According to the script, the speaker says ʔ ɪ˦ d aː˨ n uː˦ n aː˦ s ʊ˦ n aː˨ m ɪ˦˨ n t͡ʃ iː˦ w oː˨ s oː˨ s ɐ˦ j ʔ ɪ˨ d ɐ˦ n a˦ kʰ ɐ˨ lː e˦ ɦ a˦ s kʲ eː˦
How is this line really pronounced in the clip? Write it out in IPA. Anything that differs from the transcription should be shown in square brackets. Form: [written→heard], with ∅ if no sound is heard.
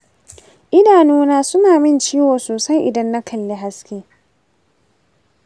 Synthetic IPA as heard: ʔ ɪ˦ d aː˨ n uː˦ n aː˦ s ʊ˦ n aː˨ m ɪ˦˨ n t͡ʃ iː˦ w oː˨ s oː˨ s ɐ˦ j ʔ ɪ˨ d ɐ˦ [n→nː] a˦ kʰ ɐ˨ lː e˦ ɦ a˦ s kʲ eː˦